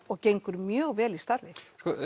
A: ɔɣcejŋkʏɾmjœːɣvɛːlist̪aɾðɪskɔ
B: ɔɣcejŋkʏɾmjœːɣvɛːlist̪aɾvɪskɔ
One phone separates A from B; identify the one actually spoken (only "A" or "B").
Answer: B